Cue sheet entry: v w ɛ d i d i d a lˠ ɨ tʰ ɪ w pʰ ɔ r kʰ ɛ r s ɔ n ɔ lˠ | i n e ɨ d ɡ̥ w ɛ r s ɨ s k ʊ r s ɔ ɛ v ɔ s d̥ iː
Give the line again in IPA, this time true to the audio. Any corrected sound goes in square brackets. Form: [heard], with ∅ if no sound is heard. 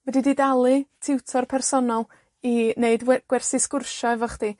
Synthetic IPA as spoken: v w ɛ d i d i d a lˠ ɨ tʰ ɪ w [tʰ] ɔ r [pʰ] ɛ r s ɔ n ɔ lˠ | i n e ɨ d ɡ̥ w ɛ r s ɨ s k ʊ r [ʃ] ɔ ɛ v ɔ [χ] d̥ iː